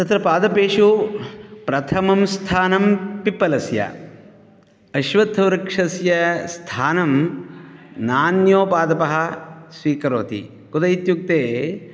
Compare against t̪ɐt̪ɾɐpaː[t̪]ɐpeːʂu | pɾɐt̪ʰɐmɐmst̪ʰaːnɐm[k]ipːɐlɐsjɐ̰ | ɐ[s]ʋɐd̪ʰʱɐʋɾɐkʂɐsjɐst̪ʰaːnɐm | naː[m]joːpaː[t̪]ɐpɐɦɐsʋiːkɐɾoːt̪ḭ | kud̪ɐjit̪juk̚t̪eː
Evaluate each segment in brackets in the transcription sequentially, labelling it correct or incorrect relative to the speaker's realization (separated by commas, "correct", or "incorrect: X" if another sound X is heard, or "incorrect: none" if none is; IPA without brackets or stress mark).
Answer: incorrect: d̪, incorrect: p, incorrect: ʃ, incorrect: n, incorrect: d̪